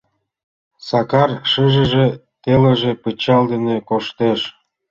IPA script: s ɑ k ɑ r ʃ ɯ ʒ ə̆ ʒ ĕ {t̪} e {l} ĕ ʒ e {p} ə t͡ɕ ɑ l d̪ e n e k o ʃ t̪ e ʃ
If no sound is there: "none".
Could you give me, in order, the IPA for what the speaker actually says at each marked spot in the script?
t̪, l, p

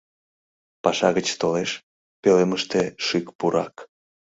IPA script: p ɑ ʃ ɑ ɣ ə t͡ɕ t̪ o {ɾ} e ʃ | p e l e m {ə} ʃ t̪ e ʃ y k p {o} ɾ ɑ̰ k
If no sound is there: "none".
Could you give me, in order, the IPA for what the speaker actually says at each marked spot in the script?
l, ə, u

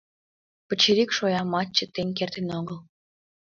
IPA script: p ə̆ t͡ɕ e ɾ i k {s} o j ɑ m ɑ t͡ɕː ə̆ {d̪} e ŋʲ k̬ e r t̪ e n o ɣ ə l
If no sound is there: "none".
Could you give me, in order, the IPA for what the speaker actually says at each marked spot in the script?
ʃ, t̪

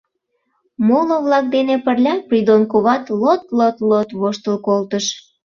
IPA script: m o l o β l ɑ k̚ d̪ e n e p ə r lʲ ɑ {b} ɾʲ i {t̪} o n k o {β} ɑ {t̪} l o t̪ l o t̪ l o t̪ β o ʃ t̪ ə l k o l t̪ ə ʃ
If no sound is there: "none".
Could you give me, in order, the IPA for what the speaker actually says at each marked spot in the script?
p, d̪, β, t̪

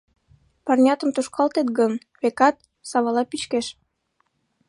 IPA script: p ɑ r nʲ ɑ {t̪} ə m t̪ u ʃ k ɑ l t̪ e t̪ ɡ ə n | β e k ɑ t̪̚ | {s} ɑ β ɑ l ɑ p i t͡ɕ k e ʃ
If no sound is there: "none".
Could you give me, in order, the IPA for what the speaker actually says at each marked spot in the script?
t̪, s

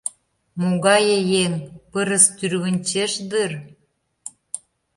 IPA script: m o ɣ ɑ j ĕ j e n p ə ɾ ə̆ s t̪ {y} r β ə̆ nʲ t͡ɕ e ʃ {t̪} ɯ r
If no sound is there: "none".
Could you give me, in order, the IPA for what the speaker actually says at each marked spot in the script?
y, d̪

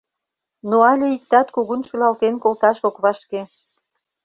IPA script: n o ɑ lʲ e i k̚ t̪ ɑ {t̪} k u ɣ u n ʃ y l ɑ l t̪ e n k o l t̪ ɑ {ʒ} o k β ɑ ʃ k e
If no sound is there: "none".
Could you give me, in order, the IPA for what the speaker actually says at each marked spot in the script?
t̪, ʃ

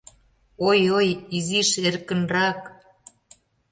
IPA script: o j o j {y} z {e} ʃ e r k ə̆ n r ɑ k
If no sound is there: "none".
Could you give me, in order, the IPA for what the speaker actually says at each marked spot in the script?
i, i

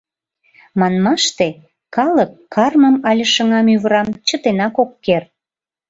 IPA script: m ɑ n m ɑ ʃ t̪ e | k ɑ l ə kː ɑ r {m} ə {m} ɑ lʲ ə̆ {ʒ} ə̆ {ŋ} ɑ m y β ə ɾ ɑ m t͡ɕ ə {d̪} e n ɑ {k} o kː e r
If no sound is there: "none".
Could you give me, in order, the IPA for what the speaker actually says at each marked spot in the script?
m, m, ʃ, ŋ, t̪, k

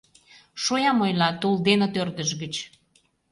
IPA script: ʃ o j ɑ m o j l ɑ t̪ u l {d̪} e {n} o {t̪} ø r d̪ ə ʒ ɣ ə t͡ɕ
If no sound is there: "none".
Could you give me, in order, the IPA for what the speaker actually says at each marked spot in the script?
d̪, n, t̪

